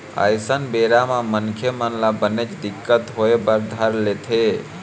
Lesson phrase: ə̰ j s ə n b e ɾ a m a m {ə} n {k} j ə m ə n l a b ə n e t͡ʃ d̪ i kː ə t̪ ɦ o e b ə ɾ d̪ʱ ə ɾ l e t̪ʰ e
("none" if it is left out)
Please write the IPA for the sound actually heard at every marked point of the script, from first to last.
ə, kʰ

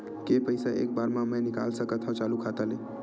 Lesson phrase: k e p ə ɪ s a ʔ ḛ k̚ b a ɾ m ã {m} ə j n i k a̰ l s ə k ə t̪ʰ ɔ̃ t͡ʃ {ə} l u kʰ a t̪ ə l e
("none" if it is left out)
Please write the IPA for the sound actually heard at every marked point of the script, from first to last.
m, a

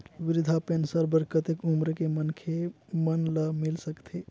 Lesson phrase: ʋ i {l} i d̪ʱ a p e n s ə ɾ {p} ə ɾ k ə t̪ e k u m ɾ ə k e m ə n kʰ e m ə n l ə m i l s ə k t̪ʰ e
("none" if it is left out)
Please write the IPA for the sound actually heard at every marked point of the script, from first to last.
ɾ, b

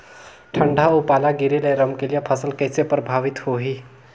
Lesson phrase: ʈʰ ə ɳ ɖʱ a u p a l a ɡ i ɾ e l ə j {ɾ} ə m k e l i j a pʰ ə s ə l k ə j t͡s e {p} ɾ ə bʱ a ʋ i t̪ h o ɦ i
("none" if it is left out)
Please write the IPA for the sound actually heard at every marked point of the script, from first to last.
ɾ, p

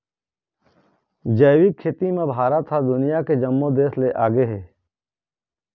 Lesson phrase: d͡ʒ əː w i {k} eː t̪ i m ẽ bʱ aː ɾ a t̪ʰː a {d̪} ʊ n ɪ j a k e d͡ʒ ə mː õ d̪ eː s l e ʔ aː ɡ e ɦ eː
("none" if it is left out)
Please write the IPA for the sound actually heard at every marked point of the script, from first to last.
kʰ, d̪

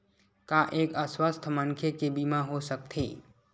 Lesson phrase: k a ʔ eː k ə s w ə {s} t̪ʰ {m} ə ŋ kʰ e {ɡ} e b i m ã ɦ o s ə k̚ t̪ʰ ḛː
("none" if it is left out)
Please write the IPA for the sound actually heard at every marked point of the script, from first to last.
s, m, k

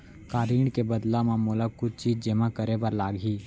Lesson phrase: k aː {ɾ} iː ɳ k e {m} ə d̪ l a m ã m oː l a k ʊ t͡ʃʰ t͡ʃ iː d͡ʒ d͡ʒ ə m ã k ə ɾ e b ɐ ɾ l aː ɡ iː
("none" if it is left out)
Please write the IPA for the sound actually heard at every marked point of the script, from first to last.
ɾ, b

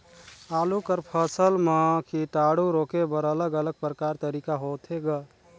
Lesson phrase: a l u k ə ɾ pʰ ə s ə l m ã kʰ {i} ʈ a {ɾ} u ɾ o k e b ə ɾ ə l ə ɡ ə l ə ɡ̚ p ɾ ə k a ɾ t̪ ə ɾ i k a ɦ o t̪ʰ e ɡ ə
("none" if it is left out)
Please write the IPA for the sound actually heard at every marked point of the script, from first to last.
i, ɽ

